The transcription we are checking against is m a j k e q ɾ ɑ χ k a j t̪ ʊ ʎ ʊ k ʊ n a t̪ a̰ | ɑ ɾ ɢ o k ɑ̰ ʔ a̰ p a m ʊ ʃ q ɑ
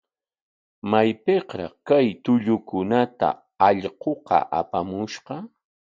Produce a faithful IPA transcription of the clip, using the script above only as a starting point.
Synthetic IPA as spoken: m a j p e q ɾ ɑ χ k a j t̪ ʊ ʎ ʊ k ʊ n a t̪ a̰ | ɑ ʎ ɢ o q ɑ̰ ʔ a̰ p a m ʊ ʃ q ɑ